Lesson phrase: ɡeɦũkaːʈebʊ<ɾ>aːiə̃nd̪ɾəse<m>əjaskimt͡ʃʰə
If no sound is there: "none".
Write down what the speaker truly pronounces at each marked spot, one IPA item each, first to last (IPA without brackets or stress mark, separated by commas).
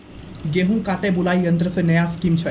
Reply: l, n